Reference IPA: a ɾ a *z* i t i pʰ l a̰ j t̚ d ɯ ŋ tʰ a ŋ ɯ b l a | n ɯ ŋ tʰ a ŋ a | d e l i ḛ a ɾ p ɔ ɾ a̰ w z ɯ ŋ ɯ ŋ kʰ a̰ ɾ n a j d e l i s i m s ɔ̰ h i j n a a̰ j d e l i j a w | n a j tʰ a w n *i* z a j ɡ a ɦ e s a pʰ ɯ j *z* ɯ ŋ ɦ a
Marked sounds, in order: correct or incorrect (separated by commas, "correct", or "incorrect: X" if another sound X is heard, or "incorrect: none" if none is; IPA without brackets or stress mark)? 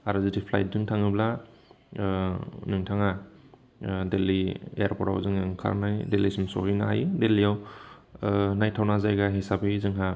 correct, incorrect: a, correct